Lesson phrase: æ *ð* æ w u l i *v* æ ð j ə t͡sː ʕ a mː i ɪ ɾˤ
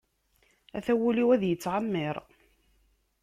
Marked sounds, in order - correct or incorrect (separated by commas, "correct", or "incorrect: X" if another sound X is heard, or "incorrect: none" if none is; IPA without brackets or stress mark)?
incorrect: θ, incorrect: w